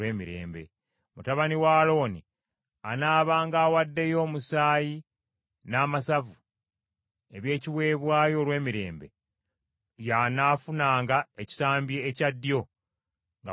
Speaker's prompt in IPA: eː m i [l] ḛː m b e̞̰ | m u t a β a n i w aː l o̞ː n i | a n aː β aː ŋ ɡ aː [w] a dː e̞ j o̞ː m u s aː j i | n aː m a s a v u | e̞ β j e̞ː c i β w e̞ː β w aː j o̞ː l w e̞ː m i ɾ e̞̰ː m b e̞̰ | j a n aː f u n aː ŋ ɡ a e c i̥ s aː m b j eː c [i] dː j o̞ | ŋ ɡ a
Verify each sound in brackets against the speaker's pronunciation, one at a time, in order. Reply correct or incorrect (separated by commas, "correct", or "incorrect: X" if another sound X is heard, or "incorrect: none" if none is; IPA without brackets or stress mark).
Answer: incorrect: ɾ, correct, incorrect: a